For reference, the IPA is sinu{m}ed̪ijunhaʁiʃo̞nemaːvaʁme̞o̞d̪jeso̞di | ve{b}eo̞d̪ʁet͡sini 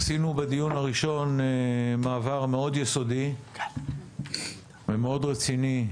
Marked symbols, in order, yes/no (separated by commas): no, no